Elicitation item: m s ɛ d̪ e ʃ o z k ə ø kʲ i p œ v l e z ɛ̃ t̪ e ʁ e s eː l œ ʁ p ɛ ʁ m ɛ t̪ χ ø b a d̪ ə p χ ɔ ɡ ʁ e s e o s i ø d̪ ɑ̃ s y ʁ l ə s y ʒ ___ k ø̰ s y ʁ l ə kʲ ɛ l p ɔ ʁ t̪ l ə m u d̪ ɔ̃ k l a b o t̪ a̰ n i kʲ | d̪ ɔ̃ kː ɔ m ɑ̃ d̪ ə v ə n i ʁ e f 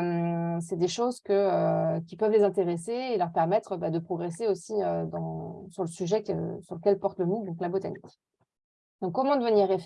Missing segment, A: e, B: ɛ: B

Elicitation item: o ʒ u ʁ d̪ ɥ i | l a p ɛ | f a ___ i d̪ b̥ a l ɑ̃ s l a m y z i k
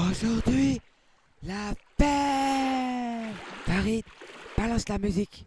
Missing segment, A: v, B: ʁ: B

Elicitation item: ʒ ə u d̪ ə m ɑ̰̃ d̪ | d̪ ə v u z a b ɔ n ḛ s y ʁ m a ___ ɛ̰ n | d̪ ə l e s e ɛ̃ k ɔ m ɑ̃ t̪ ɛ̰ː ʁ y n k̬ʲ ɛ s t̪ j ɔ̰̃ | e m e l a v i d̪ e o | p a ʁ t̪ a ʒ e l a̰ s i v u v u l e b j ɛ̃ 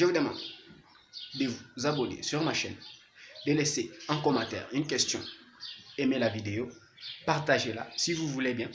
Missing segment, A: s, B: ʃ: B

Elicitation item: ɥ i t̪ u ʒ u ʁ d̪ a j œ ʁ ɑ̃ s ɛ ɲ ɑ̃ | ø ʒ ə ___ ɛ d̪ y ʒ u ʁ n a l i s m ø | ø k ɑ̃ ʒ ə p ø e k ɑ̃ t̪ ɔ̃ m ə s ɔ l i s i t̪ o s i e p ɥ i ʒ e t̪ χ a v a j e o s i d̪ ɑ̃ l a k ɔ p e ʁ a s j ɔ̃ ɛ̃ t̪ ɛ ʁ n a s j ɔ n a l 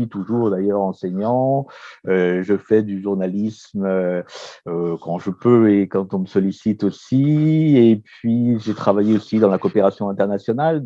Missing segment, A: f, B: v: A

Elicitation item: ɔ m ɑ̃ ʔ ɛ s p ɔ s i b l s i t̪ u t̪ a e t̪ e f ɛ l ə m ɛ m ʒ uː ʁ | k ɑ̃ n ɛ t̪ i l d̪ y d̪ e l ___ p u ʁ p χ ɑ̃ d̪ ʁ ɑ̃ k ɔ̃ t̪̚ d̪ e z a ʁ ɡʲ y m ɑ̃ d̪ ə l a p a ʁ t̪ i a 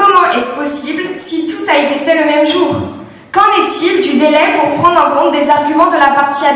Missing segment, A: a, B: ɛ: B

